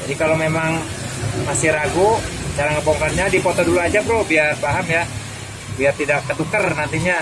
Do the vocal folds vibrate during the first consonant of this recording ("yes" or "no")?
yes